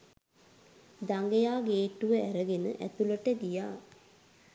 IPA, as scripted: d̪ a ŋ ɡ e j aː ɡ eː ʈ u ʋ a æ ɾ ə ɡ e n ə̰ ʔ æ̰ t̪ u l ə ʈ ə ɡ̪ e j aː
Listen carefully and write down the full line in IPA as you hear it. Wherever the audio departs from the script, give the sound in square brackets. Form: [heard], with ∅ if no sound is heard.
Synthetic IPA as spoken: d̪ a ŋ ɡ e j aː ɡ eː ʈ u ʋ [ə] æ ɾ ə ɡ e n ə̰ ʔ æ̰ t̪ u l ə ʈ ə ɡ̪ [i] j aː

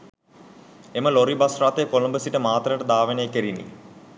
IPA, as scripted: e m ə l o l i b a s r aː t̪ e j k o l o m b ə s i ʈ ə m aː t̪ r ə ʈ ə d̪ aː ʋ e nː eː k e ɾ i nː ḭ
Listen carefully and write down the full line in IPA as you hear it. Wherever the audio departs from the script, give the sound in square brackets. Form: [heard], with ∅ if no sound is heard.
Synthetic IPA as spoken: e m ə l o [ɾ] i b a s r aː t̪ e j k o l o m b ə s i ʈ ə m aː t̪ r ə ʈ ə d̪ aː ʋ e [n] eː k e ɾ i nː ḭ

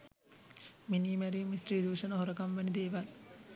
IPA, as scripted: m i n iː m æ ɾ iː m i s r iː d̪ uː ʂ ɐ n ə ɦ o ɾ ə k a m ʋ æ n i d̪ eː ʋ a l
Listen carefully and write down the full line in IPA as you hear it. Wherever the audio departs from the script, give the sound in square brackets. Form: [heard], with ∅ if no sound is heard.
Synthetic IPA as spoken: m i n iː m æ ɾ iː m i s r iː d̪ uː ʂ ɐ n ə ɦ o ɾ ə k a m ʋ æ n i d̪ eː ʋ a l

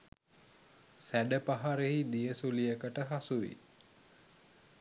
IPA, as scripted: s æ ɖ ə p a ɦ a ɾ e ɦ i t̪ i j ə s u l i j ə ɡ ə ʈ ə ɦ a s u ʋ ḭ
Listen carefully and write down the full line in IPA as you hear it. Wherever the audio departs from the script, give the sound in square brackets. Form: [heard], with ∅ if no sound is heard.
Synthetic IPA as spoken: s æ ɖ ə p a ɦ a ɾ e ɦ i [d̪] i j ə s u l i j ə [k] ə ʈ ə ɦ a s u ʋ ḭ

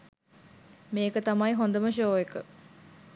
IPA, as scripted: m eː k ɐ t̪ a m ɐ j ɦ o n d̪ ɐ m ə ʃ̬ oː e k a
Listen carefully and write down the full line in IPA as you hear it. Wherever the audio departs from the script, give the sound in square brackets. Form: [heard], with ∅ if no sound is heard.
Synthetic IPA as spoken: m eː k [ə] t̪ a m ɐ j ɦ o n d̪ [ə] m ə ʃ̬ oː e k [ə]

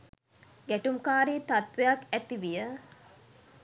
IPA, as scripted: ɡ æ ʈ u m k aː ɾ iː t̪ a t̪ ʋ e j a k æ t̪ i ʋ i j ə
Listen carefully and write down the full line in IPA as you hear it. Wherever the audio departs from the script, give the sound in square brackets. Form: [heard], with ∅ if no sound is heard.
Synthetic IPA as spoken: ɡ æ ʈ u m k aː ɾ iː t̪ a t̪ ʋ e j a k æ t̪ i ʋ i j ə

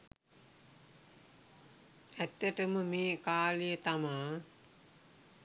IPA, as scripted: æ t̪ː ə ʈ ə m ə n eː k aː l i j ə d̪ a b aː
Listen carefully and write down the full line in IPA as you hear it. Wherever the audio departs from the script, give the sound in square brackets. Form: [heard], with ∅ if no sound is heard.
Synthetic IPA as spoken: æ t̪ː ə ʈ ə m ə [m] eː k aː l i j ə [t̪] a [m] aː

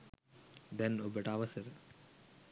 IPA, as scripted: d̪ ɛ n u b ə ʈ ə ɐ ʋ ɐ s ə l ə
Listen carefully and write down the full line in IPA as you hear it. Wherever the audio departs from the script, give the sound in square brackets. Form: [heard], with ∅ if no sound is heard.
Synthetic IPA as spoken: d̪ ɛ n [o] b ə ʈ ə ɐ ʋ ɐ s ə [ɾ] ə

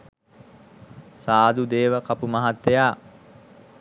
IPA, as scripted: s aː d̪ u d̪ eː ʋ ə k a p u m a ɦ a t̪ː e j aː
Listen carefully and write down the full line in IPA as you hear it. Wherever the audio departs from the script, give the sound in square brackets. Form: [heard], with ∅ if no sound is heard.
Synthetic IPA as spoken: s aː d̪ u d̪ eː ʋ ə k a p u m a ɦ a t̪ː e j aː

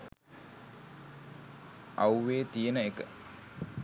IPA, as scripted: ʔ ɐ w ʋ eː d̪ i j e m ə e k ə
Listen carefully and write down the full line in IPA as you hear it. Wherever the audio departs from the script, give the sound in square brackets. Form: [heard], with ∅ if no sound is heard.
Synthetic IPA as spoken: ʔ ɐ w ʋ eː [t̪] i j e [n] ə e k ə

